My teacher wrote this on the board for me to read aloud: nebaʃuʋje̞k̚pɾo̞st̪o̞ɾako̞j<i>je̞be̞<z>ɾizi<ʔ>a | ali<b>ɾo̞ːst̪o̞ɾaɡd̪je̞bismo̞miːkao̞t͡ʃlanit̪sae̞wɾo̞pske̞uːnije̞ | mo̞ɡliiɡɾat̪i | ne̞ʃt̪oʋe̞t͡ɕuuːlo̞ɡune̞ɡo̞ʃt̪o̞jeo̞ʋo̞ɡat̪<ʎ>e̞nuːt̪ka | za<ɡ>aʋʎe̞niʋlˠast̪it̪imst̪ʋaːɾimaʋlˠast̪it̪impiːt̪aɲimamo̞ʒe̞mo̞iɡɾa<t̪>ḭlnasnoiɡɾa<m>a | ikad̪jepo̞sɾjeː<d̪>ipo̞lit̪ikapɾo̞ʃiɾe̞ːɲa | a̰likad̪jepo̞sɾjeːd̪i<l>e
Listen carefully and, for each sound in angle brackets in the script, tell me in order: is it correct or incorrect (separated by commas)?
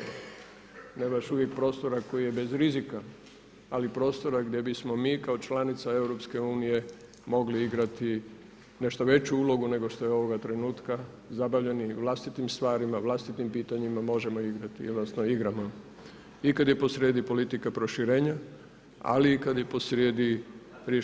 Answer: correct, correct, incorrect, incorrect, incorrect, incorrect, correct, correct, correct, incorrect